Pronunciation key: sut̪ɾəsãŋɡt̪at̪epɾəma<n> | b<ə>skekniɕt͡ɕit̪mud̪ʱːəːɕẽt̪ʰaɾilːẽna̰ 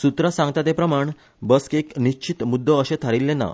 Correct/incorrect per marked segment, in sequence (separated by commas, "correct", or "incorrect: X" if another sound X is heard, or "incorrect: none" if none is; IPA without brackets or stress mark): incorrect: ɳ, correct